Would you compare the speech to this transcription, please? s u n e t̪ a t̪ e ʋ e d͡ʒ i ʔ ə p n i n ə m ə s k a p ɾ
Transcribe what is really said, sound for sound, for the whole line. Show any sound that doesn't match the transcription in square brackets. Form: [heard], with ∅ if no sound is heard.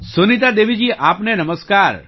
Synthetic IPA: s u n [i] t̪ a [d̪] e ʋ [i] d͡ʒ i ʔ [a] p n [e] n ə m ə s k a [∅] ɾ